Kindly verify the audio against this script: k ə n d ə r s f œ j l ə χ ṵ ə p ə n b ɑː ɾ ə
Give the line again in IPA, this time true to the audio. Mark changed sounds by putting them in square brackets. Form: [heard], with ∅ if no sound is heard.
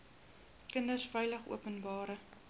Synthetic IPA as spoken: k ə n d ə r s f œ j l ə χ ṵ ə p ə n b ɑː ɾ ə